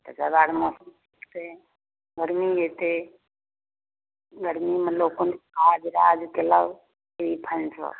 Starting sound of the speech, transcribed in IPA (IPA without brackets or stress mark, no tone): t̪